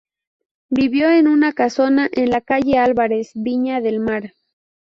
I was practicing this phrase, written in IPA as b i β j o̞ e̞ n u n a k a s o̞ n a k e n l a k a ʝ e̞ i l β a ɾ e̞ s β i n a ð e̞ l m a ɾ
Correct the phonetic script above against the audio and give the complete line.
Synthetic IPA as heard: b i β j o̞ e̞ n u n a k a s o̞ n a ʔ e n l a k a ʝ e̞ a l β a ɾ e̞ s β i ɲ a ð e̞ l m a ɾ